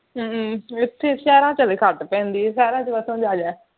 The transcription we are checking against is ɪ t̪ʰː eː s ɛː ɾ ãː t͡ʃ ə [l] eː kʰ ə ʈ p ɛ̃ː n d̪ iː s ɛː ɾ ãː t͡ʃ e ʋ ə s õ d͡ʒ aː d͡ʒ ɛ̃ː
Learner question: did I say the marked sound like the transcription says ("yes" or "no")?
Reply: yes